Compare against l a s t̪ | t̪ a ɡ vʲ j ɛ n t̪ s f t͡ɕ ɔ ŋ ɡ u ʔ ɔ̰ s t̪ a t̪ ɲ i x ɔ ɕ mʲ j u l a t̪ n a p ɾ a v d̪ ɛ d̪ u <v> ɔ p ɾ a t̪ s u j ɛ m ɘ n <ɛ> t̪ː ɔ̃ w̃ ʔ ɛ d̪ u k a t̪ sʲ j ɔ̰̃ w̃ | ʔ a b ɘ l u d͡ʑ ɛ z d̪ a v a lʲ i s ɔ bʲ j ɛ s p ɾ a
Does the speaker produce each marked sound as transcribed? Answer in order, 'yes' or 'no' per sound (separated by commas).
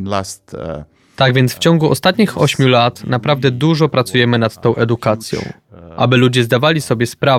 no, no